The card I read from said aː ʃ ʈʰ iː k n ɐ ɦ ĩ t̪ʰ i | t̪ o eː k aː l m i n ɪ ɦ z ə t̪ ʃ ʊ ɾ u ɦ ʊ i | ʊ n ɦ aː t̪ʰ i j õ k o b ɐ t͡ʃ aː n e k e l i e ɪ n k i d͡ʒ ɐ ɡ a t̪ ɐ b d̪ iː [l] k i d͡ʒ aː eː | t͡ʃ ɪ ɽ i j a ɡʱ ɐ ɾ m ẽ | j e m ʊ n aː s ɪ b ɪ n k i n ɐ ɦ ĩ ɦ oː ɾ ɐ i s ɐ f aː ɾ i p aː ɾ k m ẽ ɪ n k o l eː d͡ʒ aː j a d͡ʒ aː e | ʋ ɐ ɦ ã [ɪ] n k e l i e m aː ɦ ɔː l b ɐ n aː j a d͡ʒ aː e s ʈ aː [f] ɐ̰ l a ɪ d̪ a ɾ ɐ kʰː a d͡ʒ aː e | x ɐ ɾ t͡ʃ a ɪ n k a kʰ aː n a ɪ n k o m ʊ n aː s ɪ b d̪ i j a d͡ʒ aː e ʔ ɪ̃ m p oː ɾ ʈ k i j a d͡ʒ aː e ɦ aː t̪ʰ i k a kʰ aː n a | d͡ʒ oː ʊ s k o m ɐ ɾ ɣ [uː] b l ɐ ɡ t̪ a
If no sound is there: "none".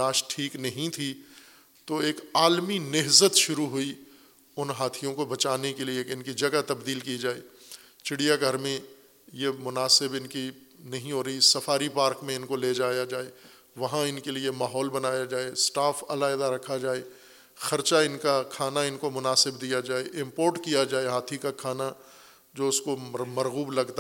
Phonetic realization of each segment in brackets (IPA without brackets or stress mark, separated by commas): l, ɪ, f, uː